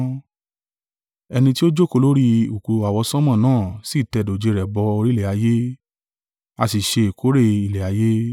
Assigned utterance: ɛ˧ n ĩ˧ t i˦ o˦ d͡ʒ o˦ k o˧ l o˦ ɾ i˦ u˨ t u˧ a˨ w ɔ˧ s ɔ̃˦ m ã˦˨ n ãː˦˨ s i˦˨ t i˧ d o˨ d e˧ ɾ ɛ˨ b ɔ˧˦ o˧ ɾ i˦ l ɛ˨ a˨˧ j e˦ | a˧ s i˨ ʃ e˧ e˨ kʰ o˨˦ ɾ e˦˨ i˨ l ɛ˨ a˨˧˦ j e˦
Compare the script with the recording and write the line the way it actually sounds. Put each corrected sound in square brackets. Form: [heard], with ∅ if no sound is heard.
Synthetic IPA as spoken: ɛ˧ n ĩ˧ t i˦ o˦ d͡ʒ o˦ k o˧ l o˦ ɾ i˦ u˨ [k] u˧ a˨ w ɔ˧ s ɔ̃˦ m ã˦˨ n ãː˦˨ s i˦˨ t [ɛ˧] d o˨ [d͡ʒ] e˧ ɾ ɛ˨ b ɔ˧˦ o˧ ɾ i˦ l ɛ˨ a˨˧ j e˦ | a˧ s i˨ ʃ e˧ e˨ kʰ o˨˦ ɾ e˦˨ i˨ l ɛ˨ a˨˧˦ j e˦